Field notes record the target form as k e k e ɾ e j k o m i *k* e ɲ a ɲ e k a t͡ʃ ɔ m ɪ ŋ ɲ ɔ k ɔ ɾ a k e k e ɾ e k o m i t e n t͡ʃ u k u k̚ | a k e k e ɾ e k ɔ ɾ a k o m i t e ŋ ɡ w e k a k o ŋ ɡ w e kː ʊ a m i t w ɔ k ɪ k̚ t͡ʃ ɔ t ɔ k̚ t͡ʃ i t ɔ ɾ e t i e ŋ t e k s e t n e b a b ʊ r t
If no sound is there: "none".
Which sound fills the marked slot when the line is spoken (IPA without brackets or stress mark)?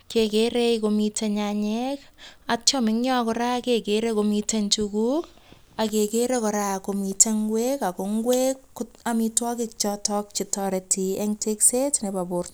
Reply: t